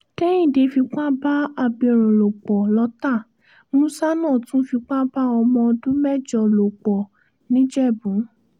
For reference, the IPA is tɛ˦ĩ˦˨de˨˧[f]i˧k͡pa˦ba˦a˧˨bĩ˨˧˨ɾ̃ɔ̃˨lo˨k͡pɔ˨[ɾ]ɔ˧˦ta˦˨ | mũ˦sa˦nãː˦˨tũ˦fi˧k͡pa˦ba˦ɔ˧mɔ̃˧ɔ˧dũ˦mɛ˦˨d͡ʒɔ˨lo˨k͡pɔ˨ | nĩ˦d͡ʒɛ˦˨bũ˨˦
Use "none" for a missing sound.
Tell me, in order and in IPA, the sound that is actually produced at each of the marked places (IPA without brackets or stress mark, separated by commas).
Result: f, l